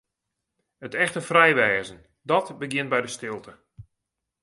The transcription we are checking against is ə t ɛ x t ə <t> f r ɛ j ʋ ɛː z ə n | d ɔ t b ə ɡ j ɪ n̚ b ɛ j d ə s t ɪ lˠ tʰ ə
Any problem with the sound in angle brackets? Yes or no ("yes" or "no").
yes